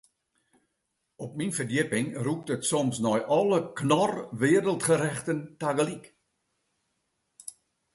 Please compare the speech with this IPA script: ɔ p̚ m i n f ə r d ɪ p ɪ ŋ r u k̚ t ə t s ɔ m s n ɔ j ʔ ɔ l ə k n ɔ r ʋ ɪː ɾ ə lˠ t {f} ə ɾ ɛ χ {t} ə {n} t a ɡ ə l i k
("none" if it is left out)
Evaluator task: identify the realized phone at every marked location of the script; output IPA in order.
χ, t, n

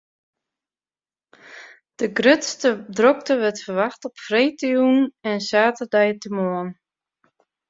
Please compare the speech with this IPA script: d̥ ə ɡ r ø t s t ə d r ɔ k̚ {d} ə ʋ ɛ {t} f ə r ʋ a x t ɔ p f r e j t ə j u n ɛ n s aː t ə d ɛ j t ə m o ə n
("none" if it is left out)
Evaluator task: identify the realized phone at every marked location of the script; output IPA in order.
t, t

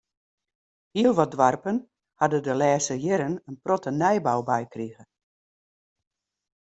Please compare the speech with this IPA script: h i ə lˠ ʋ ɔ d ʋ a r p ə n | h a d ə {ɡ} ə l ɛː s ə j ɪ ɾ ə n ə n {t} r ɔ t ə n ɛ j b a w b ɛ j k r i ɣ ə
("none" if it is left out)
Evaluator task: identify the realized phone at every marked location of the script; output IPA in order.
d, p

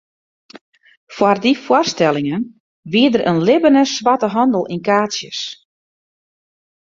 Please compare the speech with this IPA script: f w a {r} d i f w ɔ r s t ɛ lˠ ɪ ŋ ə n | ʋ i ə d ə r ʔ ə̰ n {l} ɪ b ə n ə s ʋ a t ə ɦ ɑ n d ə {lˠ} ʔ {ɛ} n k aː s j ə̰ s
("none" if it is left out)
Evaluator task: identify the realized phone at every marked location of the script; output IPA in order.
r, l, lˠ, i

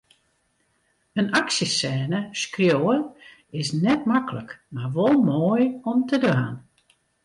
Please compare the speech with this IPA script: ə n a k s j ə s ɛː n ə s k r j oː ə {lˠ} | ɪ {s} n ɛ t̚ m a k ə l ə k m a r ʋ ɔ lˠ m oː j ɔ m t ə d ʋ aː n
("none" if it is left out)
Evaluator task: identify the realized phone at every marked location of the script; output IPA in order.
none, s

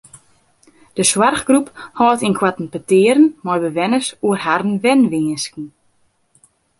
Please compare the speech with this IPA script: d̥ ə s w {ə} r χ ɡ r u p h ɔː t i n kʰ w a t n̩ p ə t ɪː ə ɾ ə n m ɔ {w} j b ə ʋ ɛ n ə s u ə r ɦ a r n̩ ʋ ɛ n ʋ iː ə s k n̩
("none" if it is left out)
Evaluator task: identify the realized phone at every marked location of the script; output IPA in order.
a, none

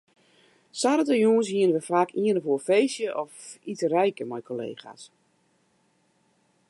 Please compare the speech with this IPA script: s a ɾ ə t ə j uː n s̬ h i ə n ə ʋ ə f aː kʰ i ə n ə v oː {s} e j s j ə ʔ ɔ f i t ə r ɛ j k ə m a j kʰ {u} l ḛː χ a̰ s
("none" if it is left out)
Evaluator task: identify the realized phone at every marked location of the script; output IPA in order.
f, o

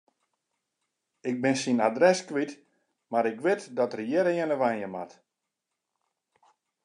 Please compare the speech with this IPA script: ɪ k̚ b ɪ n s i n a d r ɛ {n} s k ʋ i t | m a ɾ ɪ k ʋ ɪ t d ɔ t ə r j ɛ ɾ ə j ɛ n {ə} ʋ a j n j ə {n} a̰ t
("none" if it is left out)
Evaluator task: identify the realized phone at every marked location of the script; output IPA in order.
none, ə, m

